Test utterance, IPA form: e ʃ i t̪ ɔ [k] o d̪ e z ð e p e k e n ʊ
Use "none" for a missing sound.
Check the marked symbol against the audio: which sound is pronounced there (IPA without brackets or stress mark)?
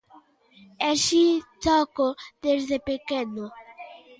k